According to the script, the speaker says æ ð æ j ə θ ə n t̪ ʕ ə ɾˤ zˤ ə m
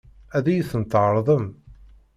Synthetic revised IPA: æ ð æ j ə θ ə n t̪ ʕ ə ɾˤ ðˤ ə m